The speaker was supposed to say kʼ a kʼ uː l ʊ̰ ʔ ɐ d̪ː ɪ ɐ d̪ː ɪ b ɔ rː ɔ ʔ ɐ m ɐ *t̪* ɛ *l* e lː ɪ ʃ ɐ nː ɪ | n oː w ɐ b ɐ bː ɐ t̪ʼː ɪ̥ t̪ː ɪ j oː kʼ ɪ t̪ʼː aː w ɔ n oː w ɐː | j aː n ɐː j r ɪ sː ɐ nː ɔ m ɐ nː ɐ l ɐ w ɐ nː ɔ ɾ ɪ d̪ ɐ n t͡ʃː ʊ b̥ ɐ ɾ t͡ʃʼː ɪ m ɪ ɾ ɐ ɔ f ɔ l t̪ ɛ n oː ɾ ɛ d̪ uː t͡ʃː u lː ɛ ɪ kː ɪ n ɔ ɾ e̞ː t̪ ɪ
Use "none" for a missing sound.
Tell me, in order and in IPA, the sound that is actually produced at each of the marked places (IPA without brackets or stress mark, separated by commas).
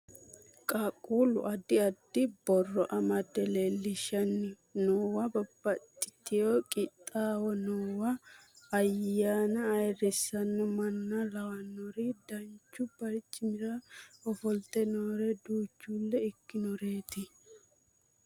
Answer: d̪, l